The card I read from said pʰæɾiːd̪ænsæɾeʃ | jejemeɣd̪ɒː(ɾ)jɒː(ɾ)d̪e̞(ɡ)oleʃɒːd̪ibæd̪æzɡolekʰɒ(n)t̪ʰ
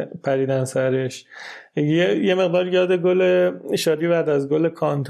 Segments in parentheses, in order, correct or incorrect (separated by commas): correct, incorrect, correct, correct